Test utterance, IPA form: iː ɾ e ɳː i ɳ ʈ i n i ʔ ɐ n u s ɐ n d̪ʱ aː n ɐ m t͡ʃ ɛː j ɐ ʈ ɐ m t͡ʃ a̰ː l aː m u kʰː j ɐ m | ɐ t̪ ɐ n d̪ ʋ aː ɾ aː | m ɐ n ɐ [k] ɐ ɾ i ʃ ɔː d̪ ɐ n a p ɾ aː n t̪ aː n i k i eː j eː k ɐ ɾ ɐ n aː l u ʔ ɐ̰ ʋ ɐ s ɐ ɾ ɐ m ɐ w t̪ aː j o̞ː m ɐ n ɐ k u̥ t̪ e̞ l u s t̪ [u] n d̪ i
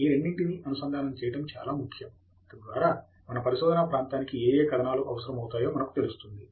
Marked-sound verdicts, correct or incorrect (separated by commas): incorrect, correct